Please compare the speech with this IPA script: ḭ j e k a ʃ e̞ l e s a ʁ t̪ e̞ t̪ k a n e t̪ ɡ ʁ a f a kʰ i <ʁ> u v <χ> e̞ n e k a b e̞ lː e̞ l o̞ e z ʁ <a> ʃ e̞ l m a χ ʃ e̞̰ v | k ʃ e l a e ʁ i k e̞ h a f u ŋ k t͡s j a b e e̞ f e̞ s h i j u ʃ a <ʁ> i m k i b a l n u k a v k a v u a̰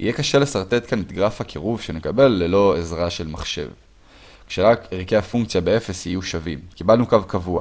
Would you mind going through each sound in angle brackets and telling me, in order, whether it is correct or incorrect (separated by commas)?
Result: correct, incorrect, correct, incorrect